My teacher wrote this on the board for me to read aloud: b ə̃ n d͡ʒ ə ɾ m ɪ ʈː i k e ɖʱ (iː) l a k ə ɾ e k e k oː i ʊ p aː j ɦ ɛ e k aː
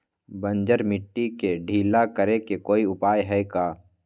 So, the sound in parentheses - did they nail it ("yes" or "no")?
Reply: yes